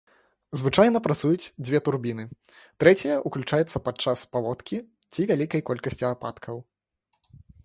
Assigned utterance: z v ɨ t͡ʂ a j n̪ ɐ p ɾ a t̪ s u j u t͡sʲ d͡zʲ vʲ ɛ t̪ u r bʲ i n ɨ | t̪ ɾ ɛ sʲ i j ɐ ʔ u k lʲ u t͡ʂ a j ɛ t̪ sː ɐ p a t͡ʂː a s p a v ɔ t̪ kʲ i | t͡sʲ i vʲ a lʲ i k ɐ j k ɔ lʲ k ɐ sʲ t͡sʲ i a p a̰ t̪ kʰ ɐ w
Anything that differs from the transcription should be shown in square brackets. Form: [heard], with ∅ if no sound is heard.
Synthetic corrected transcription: z v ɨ t͡ʂ a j n̪ ɐ p ɾ a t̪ s u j u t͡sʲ d͡zʲ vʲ ɛ t̪ u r bʲ i n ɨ | t̪ ɾ ɛ [t͡sʲ] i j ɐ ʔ u k lʲ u t͡ʂ a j ɛ t̪ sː ɐ p a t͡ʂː a s p a v ɔ t̪ kʲ i | t͡sʲ i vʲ a lʲ i k ɐ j k ɔ lʲ k ɐ sʲ t͡sʲ i a p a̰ t̪ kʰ ɐ w

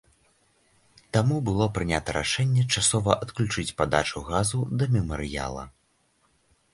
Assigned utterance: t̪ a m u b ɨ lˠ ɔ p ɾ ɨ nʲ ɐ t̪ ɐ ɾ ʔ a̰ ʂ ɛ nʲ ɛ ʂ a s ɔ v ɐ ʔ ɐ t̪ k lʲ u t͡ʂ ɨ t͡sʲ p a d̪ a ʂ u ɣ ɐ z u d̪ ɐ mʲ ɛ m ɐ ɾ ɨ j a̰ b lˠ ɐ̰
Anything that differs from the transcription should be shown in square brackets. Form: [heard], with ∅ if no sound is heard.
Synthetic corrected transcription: t̪ a m u b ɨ lˠ ɔ p ɾ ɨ nʲ [a] t̪ ɐ ɾ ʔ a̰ ʂ ɛ [nʲː] ɛ [t͡ʂ] a s ɔ v ɐ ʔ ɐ t̪ k lʲ u t͡ʂ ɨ t͡sʲ p a d̪ a [t͡ʂ] u ɣ [a] z u d̪ ɐ mʲ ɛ m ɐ ɾ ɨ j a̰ [∅] lˠ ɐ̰

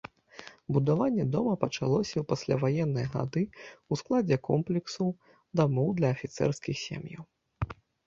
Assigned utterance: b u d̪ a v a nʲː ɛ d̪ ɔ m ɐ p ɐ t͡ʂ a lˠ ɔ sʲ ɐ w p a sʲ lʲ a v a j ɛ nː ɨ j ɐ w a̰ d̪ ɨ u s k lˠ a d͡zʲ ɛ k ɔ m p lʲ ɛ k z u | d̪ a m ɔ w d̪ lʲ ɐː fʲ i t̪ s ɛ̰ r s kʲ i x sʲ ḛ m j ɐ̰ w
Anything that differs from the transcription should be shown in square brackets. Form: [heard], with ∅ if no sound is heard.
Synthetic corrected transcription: b u d̪ a v a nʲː ɛ d̪ ɔ m ɐ p ɐ t͡ʂ a lˠ ɔ sʲ ɐ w p a sʲ lʲ a v a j ɛ nː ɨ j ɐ [ɣ] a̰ d̪ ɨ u s k lˠ a d͡zʲ ɛ k ɔ m p lʲ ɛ k [s] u | d̪ a m ɔ w d̪ lʲ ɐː fʲ i t̪ s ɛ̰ r s kʲ i x sʲ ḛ m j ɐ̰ w

